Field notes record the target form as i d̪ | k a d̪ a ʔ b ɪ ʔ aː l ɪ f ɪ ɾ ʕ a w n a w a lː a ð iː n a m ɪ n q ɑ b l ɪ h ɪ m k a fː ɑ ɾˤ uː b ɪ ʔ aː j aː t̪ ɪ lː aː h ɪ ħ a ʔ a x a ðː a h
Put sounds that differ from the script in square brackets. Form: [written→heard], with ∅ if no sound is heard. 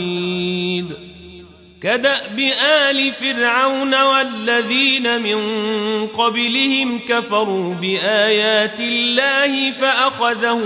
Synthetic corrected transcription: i d̪ | k a d̪ a ʔ b ɪ ʔ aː l ɪ f ɪ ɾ ʕ a w n a w a lː a ð iː n a m ɪ n q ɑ b l ɪ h ɪ m k a [fː→f] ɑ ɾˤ uː b ɪ ʔ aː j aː t̪ ɪ lː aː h ɪ [ħ→f] a ʔ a x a [ðː→ð] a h